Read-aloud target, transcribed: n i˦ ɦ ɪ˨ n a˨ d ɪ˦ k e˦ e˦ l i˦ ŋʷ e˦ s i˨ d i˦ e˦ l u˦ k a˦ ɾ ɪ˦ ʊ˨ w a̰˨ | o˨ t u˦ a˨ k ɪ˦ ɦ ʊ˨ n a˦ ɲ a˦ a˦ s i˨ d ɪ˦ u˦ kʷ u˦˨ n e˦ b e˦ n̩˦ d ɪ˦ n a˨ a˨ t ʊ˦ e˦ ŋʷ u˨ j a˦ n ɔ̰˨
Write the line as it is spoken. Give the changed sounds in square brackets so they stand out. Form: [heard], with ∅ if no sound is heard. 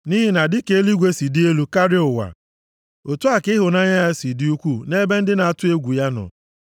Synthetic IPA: n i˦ ɦ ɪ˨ n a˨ d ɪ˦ k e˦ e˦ l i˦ [ɡʷ] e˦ s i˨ d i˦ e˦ l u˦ k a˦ ɾ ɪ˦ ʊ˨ w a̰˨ | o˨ t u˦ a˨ k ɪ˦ ɦ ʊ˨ n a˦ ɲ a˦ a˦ s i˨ d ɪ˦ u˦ kʷ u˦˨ n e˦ b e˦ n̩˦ d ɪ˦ n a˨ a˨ t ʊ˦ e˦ [ɡʷ] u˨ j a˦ n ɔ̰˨